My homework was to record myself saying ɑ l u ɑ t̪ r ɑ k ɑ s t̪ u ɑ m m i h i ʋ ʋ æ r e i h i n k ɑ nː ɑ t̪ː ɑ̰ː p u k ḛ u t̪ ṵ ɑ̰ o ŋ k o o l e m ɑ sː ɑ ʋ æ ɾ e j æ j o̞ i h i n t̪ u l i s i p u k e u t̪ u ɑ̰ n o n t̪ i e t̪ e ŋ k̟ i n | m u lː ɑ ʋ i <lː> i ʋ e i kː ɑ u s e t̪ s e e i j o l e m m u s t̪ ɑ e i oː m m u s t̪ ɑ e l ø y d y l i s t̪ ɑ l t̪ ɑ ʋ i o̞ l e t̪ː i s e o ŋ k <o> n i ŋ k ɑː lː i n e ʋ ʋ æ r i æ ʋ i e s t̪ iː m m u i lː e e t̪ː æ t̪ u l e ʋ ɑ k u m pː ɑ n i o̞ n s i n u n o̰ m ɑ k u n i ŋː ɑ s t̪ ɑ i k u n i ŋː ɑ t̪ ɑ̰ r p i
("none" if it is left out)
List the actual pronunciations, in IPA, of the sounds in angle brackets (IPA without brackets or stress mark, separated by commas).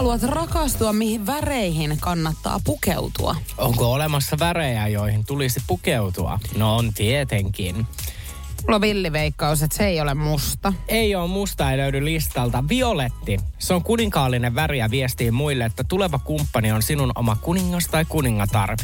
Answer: lː, u